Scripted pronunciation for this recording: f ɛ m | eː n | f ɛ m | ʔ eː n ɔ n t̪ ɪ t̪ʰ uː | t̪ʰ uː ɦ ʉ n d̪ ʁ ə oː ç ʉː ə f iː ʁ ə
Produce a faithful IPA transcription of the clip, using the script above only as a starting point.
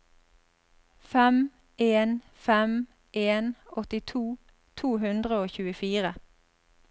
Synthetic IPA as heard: f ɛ m | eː n | f ɛ m | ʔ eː n ɔ t̪ ɪ t̪ʰ uː | t̪ʰ uː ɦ ʉ n d̪ ʁ ə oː ç ʉː ə f iː ʁ ə